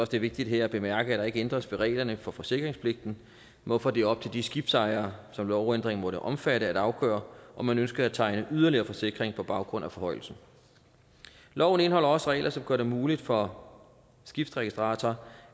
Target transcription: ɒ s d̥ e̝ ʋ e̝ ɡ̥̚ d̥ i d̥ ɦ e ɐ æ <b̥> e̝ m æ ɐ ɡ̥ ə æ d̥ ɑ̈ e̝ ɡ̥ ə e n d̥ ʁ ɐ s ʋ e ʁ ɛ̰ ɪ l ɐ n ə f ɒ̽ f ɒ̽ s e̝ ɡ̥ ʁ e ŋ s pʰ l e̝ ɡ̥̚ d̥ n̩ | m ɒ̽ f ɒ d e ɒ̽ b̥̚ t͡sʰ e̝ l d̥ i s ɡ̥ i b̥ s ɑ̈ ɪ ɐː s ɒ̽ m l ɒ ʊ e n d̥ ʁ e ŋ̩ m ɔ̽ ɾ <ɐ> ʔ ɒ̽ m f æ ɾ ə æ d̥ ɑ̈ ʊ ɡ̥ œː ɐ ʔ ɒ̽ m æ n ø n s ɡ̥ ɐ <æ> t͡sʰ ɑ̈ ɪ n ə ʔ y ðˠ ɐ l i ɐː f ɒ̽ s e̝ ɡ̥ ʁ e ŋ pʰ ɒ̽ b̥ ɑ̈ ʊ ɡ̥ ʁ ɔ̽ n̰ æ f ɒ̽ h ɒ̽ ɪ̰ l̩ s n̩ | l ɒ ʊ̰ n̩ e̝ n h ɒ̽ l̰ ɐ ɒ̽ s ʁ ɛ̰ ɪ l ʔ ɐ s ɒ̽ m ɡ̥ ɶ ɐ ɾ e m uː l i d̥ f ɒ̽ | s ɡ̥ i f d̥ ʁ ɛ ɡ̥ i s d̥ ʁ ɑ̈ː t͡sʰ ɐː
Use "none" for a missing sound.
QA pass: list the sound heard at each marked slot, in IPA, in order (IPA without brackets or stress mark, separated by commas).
b̥, ə, æ